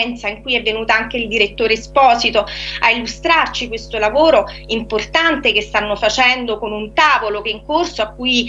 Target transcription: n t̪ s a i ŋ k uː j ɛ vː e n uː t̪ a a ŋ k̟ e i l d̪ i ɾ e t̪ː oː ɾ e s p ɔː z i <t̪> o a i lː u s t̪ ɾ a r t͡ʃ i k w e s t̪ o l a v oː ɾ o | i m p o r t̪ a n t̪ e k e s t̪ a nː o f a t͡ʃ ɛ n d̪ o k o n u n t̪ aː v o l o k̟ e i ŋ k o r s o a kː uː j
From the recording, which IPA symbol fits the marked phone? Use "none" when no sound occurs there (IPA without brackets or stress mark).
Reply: t̪